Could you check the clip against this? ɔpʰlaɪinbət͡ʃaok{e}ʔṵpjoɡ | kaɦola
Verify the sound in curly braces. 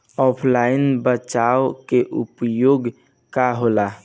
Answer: correct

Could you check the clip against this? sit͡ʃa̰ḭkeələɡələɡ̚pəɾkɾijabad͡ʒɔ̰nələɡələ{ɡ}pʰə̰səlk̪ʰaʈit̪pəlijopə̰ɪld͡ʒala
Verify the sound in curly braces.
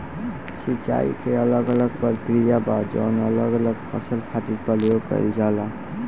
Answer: correct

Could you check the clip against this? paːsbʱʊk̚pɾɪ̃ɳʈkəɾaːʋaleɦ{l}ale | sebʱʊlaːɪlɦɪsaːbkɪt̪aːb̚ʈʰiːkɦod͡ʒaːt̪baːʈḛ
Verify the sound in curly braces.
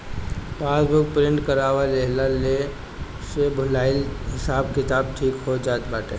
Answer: correct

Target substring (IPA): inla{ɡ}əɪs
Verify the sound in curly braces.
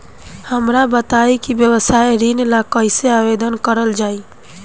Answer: incorrect: k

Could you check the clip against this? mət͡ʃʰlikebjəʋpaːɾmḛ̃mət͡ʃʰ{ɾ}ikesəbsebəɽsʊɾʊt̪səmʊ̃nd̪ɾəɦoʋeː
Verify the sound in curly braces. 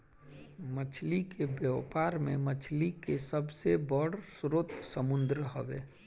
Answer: incorrect: l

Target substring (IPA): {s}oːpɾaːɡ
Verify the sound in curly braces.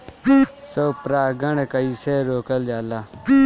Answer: correct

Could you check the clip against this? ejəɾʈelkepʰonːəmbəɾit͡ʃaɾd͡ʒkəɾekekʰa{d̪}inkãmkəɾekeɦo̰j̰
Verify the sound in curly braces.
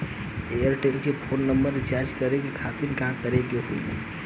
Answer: incorrect: t̪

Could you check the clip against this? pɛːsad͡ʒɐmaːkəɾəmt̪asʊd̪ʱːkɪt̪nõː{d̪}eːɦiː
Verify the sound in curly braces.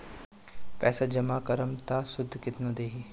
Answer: correct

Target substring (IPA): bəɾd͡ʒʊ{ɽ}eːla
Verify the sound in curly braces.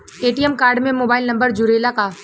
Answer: incorrect: ɾ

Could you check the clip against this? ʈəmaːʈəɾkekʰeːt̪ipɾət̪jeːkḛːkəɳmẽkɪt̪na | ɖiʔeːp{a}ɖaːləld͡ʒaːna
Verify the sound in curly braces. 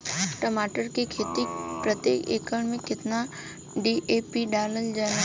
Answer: incorrect: i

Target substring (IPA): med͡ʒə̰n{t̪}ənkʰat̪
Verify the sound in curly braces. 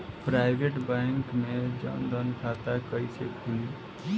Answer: incorrect: d̪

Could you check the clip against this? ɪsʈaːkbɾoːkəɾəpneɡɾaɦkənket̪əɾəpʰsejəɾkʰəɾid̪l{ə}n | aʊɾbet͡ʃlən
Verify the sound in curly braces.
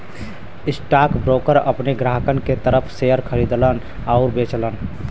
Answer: correct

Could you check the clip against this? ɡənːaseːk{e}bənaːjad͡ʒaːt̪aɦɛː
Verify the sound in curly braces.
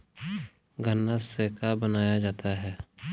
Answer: incorrect: a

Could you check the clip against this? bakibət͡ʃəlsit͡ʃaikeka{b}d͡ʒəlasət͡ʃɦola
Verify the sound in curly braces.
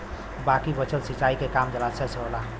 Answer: incorrect: m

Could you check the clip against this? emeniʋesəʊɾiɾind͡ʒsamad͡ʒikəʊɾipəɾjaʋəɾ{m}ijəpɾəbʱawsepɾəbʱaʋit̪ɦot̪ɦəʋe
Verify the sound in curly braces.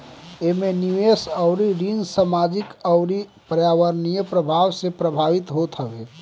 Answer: incorrect: n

